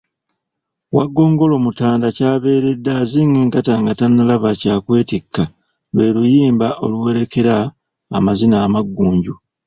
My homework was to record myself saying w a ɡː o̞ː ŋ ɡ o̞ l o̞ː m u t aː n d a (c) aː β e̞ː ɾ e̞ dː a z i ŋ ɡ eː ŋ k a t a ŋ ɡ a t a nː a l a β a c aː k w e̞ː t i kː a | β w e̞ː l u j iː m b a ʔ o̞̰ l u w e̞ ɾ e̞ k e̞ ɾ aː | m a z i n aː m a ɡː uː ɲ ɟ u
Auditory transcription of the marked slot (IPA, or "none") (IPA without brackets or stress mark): c